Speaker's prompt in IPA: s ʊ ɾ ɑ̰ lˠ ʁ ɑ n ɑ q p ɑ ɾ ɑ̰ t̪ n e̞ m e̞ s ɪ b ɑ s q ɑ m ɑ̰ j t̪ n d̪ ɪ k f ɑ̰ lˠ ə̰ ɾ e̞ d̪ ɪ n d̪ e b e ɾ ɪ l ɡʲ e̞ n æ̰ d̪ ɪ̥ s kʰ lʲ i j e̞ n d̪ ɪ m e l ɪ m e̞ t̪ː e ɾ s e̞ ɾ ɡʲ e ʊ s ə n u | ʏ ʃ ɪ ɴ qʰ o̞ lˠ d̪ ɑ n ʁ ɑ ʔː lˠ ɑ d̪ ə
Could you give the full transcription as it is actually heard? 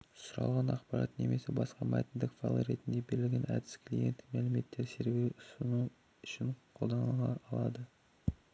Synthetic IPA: s ʊ ɾ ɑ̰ lˠ ʁ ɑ n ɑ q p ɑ ɾ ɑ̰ t̪ n e̞ m e̞ s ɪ b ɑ s q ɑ m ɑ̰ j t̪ n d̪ ɪ k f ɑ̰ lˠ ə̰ ɾ e̞ t̪ ɪ n d̪ e b e ɾ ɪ l ɡʲ e̞ n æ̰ d̪ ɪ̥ s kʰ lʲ i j e̞ n t̪ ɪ m æ l ɪ m e̞ t̪ː e ɾ s e̞ ɾ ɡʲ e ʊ s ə n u | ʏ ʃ ɪ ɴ qʰ o̞ lˠ d̪ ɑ n ʁ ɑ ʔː lˠ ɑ d̪ ə